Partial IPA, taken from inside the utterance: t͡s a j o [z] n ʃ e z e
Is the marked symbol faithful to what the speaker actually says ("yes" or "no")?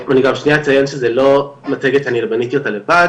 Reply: no